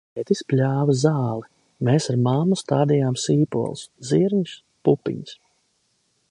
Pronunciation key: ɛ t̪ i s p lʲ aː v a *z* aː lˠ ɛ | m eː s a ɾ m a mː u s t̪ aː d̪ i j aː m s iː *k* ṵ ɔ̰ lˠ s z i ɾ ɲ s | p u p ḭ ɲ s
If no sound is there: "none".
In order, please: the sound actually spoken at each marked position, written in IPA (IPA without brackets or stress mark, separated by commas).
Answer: z, p